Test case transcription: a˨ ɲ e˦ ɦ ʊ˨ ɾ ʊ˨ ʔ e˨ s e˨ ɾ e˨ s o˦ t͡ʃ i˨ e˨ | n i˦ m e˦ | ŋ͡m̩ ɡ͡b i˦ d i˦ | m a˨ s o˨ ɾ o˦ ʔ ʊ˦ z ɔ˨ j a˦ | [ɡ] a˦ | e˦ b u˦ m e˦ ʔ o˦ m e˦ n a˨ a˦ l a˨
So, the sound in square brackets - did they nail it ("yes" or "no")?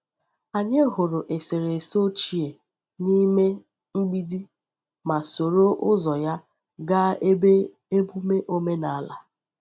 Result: yes